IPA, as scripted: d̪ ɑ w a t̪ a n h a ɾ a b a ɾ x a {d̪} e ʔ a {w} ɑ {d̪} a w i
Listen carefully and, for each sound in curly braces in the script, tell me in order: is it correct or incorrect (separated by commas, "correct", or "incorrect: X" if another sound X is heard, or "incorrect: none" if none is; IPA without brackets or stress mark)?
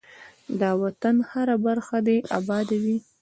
correct, incorrect: b, correct